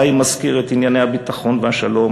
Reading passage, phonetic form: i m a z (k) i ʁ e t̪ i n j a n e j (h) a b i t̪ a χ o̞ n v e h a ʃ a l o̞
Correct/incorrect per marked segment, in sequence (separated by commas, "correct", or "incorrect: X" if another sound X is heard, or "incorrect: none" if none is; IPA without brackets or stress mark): correct, correct